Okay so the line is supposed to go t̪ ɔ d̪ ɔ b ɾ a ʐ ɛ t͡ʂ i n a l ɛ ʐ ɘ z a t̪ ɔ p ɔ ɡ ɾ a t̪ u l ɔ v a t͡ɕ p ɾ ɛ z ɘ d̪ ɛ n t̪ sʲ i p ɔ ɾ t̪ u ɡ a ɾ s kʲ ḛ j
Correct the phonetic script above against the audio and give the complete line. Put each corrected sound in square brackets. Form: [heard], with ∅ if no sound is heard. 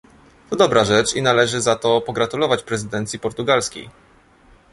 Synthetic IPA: t̪ ɔ d̪ ɔ b ɾ a ʐ ɛ t͡ʂ i n a l ɛ ʐ ɘ z a t̪ ɔ p ɔ ɡ ɾ a t̪ u l ɔ v a t͡ɕ p ɾ ɛ z ɘ d̪ ɛ n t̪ sʲ i p ɔ ɾ t̪ u ɡ a [l] s kʲ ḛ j